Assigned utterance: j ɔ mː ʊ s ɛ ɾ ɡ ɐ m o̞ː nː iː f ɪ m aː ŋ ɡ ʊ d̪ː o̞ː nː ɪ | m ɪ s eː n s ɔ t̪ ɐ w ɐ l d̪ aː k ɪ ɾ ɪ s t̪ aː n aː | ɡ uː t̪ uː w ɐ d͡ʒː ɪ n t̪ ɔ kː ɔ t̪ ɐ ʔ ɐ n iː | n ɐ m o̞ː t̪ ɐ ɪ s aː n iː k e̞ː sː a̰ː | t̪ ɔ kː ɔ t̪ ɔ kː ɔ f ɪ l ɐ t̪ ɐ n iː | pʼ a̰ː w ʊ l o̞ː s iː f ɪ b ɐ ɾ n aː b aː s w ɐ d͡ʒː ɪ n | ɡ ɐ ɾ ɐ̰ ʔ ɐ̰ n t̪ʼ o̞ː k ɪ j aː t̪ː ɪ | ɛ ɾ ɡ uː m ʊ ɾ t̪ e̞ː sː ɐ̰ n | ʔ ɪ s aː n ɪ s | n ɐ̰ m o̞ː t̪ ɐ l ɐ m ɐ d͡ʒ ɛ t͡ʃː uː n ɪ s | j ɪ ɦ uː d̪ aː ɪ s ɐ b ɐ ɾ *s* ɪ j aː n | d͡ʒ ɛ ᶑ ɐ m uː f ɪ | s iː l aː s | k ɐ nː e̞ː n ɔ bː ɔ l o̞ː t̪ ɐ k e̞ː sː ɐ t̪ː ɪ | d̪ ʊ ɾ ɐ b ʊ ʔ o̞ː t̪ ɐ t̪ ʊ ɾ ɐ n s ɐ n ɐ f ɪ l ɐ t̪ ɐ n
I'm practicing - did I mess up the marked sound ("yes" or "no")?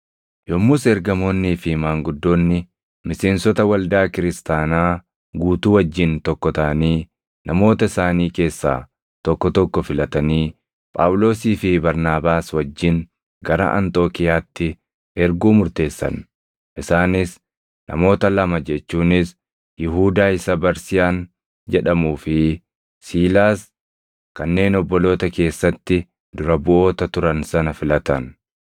no